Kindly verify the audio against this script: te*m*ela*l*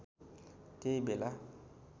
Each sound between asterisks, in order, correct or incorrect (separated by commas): incorrect, incorrect